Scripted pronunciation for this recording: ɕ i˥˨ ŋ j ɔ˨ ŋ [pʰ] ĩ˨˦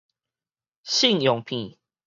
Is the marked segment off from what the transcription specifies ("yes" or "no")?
no